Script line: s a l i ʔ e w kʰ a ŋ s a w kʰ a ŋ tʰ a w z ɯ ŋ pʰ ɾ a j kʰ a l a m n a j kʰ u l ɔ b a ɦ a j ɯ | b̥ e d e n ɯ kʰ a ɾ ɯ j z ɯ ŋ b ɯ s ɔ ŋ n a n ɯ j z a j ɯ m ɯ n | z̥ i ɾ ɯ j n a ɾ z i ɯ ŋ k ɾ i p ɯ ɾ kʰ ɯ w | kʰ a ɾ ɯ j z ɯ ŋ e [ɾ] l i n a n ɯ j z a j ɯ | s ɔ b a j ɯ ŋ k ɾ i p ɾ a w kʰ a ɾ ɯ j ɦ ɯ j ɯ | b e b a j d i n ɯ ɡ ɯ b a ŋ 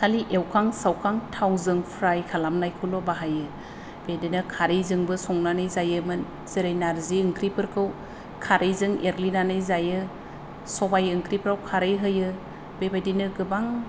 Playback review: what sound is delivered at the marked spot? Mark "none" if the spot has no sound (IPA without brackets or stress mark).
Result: ɾ